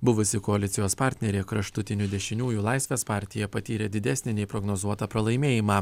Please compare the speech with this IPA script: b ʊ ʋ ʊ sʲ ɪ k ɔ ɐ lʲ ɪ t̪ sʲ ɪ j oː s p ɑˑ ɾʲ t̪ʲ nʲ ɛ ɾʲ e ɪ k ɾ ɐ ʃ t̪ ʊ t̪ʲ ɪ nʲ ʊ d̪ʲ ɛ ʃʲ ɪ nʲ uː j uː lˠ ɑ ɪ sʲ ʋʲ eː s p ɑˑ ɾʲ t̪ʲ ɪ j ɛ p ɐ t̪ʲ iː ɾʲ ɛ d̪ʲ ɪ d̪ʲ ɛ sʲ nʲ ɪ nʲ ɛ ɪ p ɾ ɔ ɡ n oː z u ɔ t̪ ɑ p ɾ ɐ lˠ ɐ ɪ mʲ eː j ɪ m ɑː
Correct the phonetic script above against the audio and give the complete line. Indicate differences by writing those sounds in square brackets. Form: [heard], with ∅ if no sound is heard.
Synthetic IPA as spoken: b ʊ ʋ ʊ sʲ ɪ k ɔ ɐ lʲ ɪ t̪ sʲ ɪ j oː s p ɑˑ ɾʲ t̪ʲ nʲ ɛ ɾʲ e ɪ k ɾ ɐ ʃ t̪ ʊ t̪ʲ ɪ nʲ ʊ d̪ʲ ɛ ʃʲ ɪ nʲ uː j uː lˠ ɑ ɪ sʲ ʋʲ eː s p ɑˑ ɾʲ t̪ʲ ɪ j ɛ p ɐ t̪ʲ iː ɾʲ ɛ d̪ʲ ɪ d̪ʲ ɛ sʲ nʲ ɪ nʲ ɛ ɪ p ɾ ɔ ɡ n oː z u ɔ t̪ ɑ p ɾ ɐ lˠ ɐ ɪ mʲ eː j ɪ m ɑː